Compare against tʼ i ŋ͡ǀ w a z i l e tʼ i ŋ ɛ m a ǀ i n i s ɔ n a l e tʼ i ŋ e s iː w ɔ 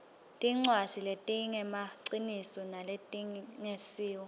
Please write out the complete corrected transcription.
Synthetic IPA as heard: tʼ i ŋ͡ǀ w a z i l e tʼ i ŋ ɛ m a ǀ i n i s ɔ n a l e tʼ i ŋ e s iː w ɔ